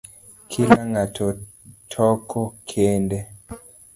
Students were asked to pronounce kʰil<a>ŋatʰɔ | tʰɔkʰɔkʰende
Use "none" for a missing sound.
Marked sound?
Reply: a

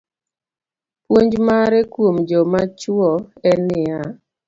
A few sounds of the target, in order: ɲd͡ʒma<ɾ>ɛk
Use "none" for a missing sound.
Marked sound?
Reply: ɾ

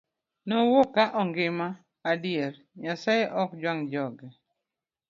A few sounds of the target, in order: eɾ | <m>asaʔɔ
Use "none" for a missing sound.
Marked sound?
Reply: ɲ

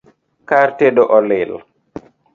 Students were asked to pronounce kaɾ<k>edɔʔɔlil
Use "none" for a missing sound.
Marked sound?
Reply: t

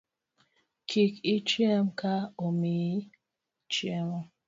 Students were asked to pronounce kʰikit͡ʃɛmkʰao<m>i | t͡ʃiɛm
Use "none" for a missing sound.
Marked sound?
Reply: m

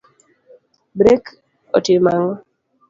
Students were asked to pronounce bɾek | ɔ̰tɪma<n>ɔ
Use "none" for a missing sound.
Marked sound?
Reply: ŋ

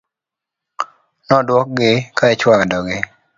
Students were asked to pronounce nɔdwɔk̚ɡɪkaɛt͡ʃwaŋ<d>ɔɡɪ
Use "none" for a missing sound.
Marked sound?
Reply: d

